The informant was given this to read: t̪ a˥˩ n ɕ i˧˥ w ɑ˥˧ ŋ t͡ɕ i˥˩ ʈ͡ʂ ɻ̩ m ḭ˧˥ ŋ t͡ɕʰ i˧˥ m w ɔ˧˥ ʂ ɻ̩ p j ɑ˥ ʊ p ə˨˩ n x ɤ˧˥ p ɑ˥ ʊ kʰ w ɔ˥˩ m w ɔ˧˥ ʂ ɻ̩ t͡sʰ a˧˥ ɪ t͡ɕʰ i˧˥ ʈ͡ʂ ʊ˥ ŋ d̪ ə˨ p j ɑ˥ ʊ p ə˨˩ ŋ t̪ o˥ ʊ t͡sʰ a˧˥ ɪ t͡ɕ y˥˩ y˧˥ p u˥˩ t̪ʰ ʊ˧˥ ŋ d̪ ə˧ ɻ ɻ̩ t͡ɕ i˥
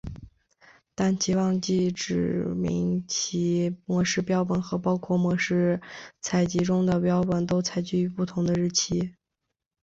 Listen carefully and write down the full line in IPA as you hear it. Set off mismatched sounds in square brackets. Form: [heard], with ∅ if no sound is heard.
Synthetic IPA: t̪ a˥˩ n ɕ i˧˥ w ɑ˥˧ ŋ t͡ɕ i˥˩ ʈ͡ʂ ɻ̩ m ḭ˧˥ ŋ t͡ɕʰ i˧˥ m w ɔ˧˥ ʂ ɻ̩ p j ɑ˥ ʊ p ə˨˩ n x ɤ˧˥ p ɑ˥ ʊ kʰ w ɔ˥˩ m w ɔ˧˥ ʂ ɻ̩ t͡sʰ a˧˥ ɪ [t͡ɕ] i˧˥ ʈ͡ʂ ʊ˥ ŋ d̪ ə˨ p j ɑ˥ ʊ p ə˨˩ [n] t̪ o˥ ʊ t͡sʰ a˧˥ ɪ t͡ɕ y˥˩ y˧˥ p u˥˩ t̪ʰ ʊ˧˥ ŋ d̪ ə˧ ɻ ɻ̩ [t͡ɕʰ] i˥